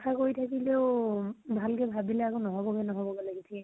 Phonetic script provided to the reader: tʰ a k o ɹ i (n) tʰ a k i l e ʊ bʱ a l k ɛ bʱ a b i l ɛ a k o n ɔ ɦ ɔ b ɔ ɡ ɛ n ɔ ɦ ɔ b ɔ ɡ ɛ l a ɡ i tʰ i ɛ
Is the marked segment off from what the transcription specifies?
yes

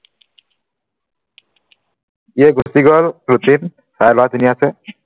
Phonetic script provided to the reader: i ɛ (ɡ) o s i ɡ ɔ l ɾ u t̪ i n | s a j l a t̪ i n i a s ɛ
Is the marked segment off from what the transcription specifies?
no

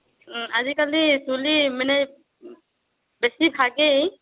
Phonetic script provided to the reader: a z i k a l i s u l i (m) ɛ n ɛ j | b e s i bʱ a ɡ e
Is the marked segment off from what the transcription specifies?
no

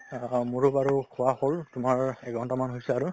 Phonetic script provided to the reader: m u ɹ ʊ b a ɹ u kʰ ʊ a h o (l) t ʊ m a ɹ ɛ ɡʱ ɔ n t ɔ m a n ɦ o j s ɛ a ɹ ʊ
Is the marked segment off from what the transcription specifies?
no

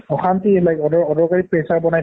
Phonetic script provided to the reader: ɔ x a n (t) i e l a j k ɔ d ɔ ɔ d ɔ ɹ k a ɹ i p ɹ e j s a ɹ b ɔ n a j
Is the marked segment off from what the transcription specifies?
no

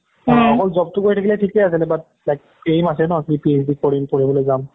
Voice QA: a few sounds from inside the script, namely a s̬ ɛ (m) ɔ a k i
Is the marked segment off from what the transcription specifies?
yes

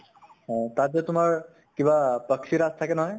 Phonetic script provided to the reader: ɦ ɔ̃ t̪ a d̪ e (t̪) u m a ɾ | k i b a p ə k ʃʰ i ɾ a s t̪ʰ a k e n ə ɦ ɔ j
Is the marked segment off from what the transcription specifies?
no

